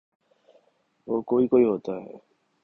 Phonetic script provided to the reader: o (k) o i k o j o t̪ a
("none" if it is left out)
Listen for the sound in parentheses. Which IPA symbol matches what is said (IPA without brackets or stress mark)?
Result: k